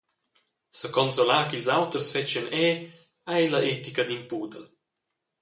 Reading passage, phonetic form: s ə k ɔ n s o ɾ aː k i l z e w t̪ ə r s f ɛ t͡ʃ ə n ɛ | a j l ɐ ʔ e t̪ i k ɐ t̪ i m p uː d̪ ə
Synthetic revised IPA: s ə k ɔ n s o l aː k i l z a w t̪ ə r s f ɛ t͡ʃ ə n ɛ | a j l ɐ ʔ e t̪ i k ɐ d̪ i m p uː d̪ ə